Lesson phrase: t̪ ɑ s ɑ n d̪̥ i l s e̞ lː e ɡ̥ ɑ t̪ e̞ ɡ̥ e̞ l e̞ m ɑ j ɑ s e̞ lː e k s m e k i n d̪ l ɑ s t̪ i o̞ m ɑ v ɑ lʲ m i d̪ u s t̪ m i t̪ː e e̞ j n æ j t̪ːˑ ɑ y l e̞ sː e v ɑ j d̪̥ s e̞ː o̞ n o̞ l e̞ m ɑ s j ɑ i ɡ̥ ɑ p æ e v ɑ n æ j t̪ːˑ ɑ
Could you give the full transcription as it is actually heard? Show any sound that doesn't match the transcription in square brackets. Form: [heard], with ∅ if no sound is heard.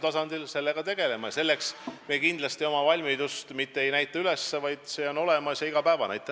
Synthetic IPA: t̪ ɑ s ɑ n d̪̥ i l s e̞ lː e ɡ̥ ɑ t̪ e̞ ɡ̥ e̞ l e̞ m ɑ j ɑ s e̞ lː e k s m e k i n d̪ l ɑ s t̪ i o̞ m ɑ v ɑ lʲ m i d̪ u s t̪ m i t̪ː e e̞ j n æ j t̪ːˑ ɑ y l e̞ sː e v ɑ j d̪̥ s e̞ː o̞ n o̞ l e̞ m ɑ s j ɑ i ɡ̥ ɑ p æ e v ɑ n æ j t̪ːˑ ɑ

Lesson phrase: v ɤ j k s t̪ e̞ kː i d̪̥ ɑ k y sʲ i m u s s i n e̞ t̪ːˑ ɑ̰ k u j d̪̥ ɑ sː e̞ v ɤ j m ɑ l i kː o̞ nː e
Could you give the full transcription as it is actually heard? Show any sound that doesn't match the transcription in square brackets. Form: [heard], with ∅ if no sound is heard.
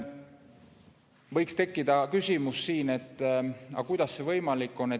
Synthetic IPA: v ɤ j k s t̪ e̞ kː i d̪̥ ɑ k y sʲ i m u s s [iː] n e̞ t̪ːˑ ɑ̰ k u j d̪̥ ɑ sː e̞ v ɤ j m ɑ l i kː o̞ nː e

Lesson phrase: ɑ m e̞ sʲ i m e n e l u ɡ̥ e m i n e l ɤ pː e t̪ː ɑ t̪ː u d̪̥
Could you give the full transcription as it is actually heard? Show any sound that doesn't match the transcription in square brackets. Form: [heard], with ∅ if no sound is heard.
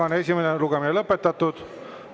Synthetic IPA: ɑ [n] e̞ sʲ i m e n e l u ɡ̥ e m i n e l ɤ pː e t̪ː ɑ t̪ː u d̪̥

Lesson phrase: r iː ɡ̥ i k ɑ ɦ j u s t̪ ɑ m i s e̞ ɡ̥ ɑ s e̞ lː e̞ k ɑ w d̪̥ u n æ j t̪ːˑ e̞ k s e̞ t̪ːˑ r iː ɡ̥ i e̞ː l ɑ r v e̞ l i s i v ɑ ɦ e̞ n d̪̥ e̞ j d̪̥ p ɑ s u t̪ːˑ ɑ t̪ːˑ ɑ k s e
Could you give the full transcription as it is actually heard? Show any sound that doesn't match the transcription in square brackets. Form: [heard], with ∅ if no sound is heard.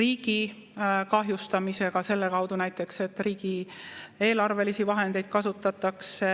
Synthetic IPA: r iː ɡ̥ i k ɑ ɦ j u s t̪ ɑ m i s e̞ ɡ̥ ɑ s e̞ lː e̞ k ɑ w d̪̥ u n æ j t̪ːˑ e̞ k s e̞ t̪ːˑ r iː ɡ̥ i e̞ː l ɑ r v e̞ l i s i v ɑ ɦ e̞ n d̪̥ e̞ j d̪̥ [k] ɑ s u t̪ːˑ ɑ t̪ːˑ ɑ k s e

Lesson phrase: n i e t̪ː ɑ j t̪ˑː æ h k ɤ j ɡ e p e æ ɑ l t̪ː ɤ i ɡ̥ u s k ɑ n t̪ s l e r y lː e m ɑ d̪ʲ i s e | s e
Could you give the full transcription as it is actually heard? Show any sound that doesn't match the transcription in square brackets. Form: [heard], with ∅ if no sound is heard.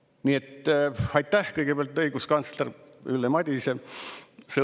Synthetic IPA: n i e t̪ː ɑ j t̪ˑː æ h k ɤ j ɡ e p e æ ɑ l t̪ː ɤ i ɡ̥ u s k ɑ n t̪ s l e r y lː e m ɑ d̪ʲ i s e | s e

